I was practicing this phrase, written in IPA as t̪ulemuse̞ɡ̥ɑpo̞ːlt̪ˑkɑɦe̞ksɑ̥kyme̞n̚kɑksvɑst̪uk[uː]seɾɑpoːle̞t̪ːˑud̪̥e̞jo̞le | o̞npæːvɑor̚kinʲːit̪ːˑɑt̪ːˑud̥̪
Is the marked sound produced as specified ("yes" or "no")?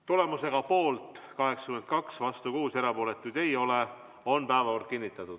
yes